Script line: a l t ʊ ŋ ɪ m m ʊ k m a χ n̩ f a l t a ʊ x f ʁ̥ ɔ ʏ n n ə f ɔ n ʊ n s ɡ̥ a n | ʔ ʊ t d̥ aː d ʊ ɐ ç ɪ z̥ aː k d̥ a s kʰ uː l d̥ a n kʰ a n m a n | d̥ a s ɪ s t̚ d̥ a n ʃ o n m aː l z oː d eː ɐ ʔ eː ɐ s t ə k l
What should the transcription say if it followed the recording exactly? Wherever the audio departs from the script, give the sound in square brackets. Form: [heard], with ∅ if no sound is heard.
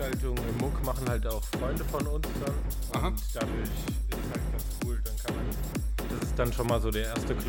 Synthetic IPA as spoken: a l t ʊ ŋ ɪ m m ʊ k m a χ n̩ [h] a l t a ʊ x f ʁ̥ ɔ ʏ n [d] ə f ɔ n ʊ n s [d̥] a n | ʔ ʊ t d̥ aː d ʊ ɐ ç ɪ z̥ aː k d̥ a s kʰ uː l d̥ a n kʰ a n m a n | d̥ a s ɪ s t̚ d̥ a n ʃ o n m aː l z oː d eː ɐ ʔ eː ɐ s t ə k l